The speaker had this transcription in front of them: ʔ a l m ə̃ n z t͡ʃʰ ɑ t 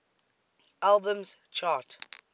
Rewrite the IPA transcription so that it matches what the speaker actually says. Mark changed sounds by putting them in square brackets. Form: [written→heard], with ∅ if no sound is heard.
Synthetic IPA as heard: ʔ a l [m→b] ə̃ [n→m] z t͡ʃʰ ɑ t